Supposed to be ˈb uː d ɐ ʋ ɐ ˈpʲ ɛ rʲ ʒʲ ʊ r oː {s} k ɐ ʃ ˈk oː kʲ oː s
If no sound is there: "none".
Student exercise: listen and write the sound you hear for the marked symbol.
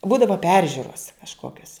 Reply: s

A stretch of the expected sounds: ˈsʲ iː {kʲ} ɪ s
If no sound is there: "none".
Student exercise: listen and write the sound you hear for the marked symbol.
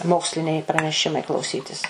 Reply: tʲ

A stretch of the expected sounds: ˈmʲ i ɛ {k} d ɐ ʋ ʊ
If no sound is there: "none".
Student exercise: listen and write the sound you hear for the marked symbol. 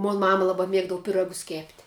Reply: ɡ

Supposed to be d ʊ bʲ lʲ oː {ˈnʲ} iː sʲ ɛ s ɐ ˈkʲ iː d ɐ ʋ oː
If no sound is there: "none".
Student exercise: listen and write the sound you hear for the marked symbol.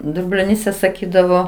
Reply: nʲ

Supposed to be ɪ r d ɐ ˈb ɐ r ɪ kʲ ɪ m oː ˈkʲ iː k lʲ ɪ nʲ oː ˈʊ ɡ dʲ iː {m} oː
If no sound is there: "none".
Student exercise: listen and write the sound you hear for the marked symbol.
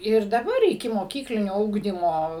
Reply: m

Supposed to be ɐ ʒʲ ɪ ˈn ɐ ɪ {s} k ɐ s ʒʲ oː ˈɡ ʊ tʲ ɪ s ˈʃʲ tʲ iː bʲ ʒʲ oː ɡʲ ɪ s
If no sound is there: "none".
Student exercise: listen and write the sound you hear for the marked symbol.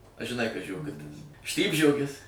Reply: none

